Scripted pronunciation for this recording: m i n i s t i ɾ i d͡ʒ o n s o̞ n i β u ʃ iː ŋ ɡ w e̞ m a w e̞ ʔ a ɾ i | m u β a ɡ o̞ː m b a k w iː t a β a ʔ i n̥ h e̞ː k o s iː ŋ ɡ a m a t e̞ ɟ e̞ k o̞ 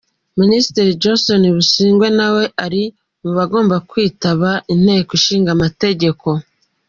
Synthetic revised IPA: m i n i s t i ɾ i d͡ʒ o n s o̞ n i β u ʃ iː ŋ ɡ w e̞ n a w e̞ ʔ a ɾ i | m u β a ɡ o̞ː m b a k w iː t a β a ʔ i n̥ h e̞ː k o ʃ iː ŋ ɡ a m a t e̞ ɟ e̞ k o̞